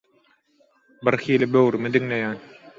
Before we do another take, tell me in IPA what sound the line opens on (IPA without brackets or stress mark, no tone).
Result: b